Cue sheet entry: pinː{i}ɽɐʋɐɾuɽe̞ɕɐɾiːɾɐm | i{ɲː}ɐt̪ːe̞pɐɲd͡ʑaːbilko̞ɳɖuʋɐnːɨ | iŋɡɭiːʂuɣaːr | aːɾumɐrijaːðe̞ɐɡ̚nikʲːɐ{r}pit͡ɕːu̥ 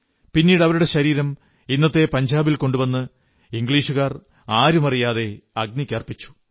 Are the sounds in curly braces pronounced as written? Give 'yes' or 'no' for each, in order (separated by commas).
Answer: no, no, yes